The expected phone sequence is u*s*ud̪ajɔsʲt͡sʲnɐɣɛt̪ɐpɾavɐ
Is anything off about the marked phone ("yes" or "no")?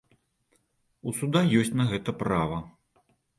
no